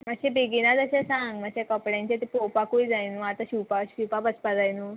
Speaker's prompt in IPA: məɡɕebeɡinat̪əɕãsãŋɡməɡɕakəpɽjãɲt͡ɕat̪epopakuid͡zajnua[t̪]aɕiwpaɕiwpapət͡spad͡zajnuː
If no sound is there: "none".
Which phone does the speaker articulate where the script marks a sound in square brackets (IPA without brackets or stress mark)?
t̪